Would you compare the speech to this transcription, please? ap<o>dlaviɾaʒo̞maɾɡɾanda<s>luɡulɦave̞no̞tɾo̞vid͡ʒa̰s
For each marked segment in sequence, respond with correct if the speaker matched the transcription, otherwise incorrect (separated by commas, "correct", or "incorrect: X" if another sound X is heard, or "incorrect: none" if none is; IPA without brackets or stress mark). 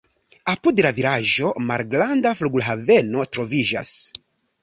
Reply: incorrect: u, incorrect: f